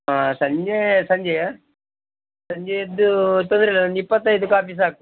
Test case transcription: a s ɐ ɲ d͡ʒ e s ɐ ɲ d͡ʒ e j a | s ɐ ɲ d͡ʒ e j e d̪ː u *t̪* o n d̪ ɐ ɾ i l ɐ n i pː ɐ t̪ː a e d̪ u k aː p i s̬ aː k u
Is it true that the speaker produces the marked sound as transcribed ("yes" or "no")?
yes